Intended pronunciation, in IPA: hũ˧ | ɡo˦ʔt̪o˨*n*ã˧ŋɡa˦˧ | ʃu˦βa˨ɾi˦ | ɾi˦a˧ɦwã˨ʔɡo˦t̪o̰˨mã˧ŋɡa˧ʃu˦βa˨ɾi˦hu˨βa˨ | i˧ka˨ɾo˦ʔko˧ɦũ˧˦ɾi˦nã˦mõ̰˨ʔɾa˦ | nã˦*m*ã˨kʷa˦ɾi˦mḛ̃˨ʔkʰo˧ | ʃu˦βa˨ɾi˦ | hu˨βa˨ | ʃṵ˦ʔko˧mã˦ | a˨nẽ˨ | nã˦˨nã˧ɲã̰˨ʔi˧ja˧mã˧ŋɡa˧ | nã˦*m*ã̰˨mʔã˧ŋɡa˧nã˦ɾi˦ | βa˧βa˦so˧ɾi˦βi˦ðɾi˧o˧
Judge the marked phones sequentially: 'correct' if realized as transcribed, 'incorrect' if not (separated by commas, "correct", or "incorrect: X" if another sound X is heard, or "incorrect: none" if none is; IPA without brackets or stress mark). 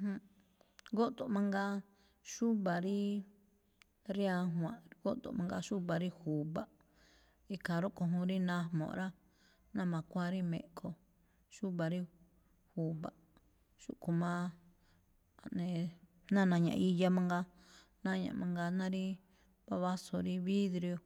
incorrect: m, correct, incorrect: ɲ